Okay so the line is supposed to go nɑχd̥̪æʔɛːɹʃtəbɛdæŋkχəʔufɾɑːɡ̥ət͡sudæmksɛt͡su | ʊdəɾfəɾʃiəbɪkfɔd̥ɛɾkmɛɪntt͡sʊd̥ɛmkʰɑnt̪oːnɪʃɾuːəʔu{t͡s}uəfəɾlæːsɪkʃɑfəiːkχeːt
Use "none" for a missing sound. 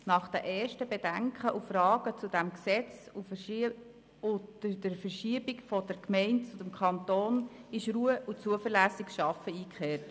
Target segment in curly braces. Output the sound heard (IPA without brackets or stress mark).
t͡s